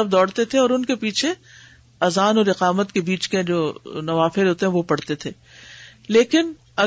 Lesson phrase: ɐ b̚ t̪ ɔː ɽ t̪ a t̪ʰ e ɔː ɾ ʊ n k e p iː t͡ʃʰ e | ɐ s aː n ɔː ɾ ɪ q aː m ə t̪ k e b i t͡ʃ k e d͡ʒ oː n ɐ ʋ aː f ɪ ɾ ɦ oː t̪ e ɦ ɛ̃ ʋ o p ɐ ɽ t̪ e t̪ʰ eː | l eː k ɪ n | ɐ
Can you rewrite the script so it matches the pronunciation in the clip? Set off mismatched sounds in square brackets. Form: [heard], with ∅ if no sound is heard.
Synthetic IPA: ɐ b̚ [d̪] ɔː ɽ t̪ [e] t̪ʰ e ɔː ɾ ʊ n k e p iː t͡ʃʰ e | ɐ [z] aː n ɔː ɾ ɪ q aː m ə t̪ k e b [iː] t͡ʃ k e d͡ʒ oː n ɐ ʋ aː f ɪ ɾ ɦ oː t̪ e ɦ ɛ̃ ʋ o p ɐ ɽ t̪ e t̪ʰ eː | l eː k ɪ n | ɐ